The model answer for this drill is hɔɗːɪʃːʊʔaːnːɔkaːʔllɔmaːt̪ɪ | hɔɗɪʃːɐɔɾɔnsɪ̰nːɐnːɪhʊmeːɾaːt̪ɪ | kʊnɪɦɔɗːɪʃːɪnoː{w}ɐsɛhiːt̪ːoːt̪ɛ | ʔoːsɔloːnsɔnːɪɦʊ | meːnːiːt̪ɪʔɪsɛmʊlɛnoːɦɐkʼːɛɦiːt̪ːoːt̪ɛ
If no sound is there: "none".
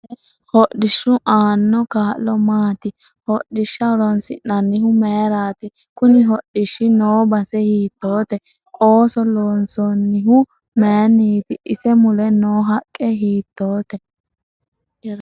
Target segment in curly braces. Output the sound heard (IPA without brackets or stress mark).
b